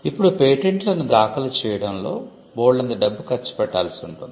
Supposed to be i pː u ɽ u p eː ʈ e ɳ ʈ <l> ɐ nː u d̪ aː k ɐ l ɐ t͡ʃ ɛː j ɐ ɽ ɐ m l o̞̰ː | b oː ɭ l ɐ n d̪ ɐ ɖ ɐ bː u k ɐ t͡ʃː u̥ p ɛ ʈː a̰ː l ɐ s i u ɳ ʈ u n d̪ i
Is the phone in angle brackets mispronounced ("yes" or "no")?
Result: no